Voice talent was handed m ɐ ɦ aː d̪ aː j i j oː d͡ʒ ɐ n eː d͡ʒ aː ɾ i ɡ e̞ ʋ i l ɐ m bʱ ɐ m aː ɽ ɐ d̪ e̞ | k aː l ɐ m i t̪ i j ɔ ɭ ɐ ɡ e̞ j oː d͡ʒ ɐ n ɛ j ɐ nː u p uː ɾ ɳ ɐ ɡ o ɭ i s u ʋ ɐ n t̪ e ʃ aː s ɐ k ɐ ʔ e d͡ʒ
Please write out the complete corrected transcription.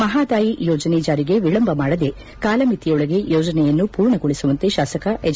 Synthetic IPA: m ɐ ɦ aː d̪ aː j i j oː d͡ʒ ɐ n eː d͡ʒ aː ɾ i ɡ e̞ ʋ i ɭ ɐ m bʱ ɐ m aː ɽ ɐ d̪ e̞ | k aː l ɐ m i t̪ i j ɔ ɭ ɐ ɡ e̞ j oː d͡ʒ ɐ n ɛ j ɐ nː u p uː ɾ ɳ ɐ ɡ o ɭ i s u ʋ ɐ n t̪ e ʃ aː s ɐ k ɐ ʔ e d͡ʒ

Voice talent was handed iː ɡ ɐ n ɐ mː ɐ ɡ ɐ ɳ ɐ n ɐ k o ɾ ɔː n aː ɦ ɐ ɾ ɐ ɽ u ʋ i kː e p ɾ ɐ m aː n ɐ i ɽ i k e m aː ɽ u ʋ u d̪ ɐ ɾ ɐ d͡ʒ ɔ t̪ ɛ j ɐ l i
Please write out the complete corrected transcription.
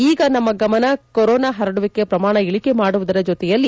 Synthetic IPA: iː ɡ ɐ n ɐ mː ɐ ɡ ɐ m ɐ n ɐ k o ɾ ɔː n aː ɦ ɐ ɾ ɐ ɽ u ʋ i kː e p ɾ ɐ m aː ɳ ɐ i ɭ i k e m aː ɽ u ʋ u d̪ ɐ ɾ ɐ d͡ʒ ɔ t̪ ɛ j ɐ lː i

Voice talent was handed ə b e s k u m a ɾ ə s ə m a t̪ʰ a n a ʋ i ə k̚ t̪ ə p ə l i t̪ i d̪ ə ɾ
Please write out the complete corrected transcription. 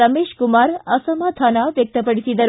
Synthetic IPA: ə m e ʃ k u m a ɾ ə s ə m a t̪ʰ a n a ʋ j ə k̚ t̪ ə p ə ɽ i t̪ i d̪ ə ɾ

